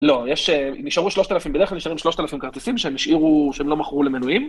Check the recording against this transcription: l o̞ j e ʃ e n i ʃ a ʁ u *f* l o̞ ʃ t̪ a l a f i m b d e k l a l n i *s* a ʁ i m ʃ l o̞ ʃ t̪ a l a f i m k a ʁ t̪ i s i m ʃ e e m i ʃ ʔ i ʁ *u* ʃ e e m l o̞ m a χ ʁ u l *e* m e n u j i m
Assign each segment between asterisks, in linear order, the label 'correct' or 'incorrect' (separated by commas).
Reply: incorrect, incorrect, correct, correct